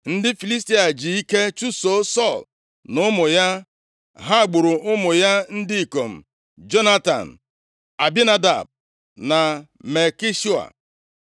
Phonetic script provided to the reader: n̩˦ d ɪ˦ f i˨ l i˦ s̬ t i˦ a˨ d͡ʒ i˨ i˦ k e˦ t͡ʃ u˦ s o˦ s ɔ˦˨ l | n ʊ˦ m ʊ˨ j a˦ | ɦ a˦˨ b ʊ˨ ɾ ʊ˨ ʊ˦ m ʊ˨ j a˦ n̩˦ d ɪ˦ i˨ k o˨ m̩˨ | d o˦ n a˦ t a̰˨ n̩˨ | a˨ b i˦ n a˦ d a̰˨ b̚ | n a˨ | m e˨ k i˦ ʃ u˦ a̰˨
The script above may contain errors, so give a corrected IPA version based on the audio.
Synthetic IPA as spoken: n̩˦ d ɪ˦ f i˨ l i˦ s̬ t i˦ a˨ d͡ʒ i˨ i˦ k e˦ t͡ʃ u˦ s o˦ s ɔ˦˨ l | n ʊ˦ m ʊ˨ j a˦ | ɦ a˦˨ ɡ͡b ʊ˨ ɾ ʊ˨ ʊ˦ m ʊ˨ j a˦ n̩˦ d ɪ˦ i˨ k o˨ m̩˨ | d͡ʒ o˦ n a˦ t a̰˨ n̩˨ | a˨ b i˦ n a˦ d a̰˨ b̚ | n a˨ | m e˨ k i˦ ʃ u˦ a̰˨